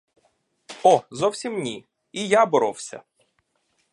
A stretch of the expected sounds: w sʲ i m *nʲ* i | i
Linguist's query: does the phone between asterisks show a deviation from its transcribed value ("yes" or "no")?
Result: no